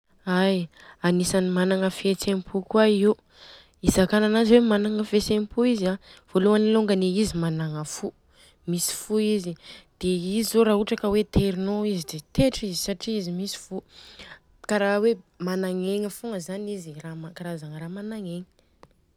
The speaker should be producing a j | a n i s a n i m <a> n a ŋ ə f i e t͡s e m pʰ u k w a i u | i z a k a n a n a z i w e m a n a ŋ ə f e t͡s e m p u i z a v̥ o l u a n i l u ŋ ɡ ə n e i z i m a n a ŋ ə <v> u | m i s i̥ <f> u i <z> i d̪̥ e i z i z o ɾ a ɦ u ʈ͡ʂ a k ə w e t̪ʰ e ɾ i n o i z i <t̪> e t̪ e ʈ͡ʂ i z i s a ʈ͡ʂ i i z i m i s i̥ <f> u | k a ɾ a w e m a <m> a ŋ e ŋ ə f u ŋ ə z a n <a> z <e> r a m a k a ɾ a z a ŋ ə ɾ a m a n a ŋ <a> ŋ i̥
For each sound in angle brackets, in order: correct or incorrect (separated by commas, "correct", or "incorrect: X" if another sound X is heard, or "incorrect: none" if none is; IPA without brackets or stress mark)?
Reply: correct, incorrect: f, correct, correct, incorrect: d̪, correct, incorrect: n, incorrect: i, incorrect: i, incorrect: e